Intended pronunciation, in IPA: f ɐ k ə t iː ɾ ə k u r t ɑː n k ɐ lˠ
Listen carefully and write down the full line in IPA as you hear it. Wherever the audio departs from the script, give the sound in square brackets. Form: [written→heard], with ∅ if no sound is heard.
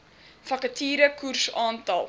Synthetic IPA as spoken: f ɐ k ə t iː ɾ ə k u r [t→s] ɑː n [k→t] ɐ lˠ